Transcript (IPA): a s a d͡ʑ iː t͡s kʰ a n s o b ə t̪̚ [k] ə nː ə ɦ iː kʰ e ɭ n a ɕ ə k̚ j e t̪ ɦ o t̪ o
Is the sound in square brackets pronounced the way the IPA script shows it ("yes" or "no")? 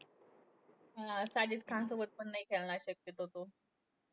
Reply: no